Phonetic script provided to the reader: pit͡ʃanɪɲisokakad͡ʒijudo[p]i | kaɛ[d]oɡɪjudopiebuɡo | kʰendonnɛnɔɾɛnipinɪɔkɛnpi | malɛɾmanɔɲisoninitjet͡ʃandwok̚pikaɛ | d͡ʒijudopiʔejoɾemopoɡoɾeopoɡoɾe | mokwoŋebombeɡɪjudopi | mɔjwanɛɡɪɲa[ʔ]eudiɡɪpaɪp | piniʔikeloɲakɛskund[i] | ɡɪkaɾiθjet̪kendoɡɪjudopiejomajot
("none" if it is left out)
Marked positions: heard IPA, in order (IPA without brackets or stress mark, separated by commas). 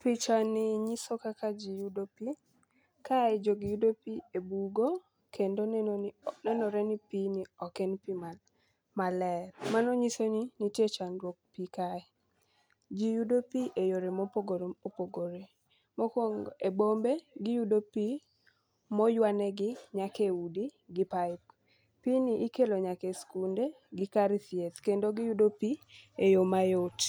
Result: p, d͡ʒ, k, e